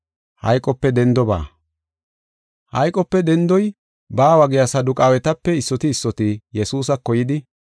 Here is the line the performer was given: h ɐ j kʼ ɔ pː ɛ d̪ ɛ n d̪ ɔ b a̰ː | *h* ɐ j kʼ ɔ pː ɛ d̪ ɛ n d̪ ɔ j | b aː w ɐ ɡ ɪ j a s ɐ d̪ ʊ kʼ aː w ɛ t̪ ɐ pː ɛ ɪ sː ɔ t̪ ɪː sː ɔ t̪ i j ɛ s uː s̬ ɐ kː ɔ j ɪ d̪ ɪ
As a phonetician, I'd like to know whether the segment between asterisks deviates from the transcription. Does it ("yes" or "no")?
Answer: no